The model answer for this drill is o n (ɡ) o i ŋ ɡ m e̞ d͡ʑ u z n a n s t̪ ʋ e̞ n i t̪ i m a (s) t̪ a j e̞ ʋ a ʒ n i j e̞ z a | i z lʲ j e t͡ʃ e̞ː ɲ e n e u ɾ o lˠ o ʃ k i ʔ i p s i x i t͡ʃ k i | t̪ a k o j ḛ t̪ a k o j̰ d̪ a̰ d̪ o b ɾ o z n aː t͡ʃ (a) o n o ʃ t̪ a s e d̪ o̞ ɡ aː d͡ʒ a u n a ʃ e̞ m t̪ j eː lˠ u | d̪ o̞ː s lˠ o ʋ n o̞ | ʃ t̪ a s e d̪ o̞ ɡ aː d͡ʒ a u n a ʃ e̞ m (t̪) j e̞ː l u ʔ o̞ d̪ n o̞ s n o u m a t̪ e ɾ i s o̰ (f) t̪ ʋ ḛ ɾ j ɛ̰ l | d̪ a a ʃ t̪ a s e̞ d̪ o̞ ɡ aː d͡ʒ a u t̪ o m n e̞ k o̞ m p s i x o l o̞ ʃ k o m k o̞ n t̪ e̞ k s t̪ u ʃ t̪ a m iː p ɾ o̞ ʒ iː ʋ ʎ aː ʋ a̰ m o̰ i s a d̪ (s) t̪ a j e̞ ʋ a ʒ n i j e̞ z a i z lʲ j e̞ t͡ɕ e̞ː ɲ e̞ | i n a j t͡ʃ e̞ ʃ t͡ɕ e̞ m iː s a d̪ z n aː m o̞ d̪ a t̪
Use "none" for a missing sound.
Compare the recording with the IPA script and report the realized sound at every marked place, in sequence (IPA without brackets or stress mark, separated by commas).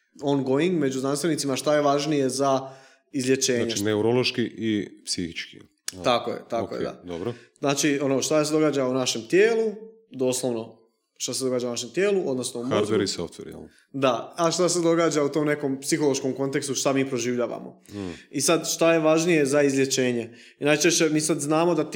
ɡ, ʃ, i, t̪, f, ʃ